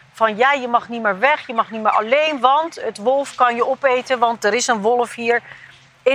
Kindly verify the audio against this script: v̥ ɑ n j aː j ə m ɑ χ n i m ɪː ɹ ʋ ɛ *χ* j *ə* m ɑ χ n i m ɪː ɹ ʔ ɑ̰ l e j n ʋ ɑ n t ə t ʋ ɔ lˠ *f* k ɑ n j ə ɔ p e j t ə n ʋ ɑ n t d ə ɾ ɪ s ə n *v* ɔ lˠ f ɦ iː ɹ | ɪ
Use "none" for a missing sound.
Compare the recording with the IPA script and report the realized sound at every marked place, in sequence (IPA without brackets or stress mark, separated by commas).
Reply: χ, ə, f, ʋ